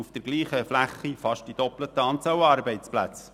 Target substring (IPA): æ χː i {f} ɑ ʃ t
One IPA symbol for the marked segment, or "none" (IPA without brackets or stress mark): f